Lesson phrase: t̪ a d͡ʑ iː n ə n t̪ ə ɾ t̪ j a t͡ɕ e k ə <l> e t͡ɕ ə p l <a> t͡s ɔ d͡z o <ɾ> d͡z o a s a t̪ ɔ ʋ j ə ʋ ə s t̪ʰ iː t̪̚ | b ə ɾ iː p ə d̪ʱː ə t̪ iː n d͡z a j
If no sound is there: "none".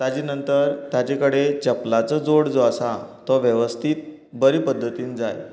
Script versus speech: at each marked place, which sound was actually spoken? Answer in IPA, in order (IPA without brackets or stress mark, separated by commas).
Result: ɽ, a, ɽ